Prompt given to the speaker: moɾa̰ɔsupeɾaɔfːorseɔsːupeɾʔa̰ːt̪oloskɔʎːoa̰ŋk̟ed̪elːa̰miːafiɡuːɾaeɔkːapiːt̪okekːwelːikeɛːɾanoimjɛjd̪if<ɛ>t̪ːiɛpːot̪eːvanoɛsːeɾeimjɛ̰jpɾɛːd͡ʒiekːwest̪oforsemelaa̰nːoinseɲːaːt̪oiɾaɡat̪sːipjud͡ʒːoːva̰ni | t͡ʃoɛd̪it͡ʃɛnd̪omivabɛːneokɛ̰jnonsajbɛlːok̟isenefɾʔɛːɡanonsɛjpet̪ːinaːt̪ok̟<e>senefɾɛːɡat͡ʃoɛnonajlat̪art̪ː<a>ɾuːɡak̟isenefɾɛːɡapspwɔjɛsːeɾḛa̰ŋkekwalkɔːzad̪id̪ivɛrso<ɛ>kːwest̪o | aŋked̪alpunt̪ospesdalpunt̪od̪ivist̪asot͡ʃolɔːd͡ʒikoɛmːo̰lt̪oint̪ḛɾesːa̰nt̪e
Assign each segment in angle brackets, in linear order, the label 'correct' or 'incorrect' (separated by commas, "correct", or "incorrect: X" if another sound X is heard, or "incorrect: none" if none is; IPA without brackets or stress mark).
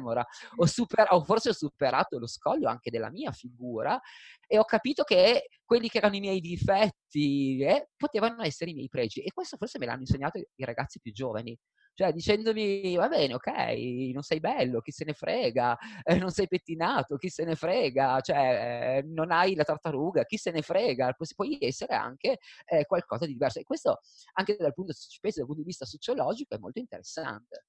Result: correct, incorrect: i, correct, incorrect: e